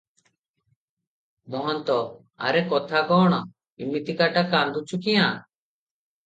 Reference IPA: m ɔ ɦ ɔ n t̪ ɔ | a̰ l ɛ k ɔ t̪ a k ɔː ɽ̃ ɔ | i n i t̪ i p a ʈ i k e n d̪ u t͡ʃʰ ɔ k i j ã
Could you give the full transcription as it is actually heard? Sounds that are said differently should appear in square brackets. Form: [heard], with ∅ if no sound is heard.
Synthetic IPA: m ɔ ɦ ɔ n t̪ ɔ | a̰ [ɾ] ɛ k ɔ [t̪ʰ] a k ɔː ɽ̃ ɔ | i [m] i t̪ i [k] a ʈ [a] k [a] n d̪ u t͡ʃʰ [u] k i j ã